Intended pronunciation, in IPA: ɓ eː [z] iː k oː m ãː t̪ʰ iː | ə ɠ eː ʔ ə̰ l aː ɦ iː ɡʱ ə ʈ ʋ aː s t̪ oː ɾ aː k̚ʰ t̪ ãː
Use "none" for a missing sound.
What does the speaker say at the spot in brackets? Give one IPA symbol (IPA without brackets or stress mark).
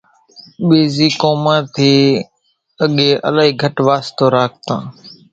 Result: z